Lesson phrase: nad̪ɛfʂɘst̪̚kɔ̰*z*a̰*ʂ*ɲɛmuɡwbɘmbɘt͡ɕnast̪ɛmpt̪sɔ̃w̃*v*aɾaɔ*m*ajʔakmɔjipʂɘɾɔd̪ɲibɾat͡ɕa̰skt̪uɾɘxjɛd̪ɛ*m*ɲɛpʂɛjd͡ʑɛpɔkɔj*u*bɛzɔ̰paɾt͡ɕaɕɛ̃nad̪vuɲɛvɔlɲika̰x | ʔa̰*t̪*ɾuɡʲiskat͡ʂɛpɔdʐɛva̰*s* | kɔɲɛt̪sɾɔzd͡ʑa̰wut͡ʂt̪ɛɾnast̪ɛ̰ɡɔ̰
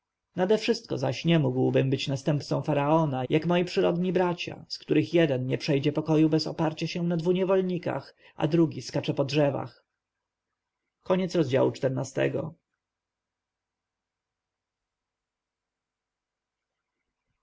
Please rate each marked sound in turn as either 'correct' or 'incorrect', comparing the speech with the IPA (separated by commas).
correct, incorrect, incorrect, incorrect, incorrect, correct, incorrect, incorrect